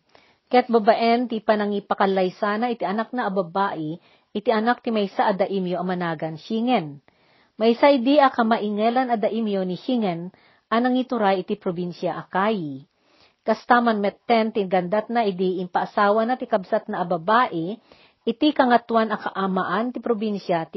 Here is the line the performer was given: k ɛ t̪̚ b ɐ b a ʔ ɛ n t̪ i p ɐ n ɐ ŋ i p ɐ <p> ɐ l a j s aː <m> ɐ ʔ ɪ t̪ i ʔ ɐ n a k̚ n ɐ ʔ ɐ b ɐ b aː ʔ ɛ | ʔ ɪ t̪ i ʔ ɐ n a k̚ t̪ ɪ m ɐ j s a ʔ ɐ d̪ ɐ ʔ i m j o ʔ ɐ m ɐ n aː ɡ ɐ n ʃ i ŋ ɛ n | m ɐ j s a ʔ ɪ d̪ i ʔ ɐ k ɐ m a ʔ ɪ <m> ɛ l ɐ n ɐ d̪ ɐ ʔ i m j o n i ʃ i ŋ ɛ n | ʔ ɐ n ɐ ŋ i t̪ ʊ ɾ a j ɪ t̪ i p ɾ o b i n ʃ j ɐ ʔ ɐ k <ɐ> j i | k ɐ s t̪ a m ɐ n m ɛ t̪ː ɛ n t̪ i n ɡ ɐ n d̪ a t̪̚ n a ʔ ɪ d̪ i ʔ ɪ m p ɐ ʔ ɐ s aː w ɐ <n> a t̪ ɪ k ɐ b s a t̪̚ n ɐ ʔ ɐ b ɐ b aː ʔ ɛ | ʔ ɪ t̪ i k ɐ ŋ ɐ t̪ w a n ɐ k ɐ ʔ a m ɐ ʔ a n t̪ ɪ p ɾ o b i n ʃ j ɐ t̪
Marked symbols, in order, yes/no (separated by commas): no, no, no, no, yes